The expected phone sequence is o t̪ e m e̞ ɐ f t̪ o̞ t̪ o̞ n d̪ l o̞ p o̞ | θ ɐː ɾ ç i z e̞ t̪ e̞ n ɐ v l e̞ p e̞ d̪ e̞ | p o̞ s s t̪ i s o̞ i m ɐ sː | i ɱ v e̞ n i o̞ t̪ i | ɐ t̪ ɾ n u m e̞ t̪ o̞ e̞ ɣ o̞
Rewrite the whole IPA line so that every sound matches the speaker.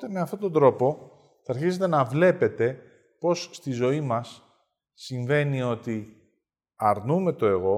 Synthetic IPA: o t̪ e m e̞ ɐ f t̪ o̞ t̪ o̞ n d̪ ɾ o̞ p o̞ | θ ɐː ɾ ç i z e̞ t̪ e̞ n ɐ v l e̞ p e̞ t̪ e̞ | p o̞ s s t̪ i z o̞ i m ɐ sː | i ɱ v e̞ n i o̞ t̪ i | ɐ ɾ n u m e̞ t̪ o̞ e̞ ɣ o̞